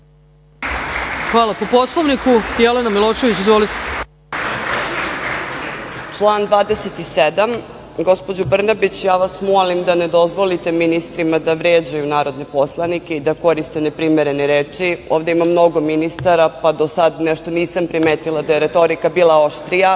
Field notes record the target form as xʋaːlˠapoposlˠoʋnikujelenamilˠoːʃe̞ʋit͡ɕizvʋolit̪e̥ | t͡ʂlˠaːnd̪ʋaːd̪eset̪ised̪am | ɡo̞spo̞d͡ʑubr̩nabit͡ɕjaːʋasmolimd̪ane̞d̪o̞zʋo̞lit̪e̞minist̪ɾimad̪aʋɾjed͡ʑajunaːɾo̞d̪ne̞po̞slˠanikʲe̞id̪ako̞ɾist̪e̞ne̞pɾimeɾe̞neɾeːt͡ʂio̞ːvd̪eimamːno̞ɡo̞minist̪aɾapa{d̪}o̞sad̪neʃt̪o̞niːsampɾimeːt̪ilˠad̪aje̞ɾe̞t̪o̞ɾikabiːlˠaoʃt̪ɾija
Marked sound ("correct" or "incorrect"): correct